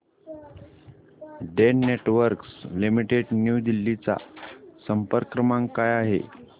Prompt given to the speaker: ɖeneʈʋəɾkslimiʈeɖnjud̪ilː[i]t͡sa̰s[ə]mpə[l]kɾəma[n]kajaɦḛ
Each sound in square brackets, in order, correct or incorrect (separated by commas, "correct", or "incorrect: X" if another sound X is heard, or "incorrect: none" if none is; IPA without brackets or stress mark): correct, correct, incorrect: ɾ, incorrect: ŋ